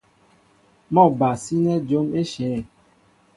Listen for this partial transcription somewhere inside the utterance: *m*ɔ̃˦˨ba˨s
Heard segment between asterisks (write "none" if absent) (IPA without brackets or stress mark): m